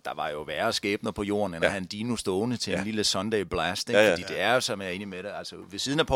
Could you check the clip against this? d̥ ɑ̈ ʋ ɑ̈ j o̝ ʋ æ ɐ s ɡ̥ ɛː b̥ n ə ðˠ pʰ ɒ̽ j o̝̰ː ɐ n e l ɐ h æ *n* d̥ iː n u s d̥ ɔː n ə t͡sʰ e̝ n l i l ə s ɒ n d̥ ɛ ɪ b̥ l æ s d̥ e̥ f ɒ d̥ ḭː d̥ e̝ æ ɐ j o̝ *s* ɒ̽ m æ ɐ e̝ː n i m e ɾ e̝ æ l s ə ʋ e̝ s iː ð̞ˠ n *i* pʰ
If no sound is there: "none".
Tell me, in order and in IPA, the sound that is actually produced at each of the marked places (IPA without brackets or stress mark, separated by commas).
n, s, æ